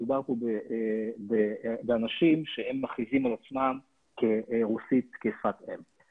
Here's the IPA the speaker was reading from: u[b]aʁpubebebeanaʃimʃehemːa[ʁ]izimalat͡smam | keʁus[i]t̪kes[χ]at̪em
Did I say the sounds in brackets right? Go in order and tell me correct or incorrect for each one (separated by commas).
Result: correct, incorrect, correct, incorrect